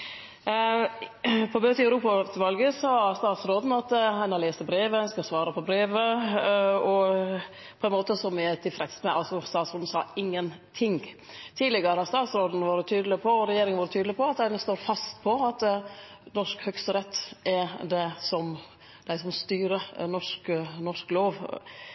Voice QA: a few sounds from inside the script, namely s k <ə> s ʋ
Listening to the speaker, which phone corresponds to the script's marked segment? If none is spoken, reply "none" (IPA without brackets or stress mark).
ɑ